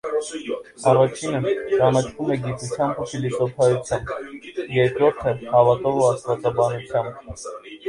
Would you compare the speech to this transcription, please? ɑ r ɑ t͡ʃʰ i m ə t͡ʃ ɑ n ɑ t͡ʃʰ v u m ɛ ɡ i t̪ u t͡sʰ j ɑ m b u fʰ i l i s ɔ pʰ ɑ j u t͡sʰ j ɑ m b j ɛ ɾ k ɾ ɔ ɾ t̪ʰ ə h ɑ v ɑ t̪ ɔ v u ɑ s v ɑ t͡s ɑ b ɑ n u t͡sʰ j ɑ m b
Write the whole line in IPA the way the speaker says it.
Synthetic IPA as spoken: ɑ r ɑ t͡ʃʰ i n ə t͡ʃ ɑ n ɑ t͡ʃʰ v u m ɛ ɡ i t̪ u t͡sʰ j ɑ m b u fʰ i l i s ɔ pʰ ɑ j u t͡sʰ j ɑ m b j ɛ ɾ k ɾ ɔ ɾ t̪ʰ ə h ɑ v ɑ t̪ ɔ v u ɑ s v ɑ t͡s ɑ b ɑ n u t͡sʰ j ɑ m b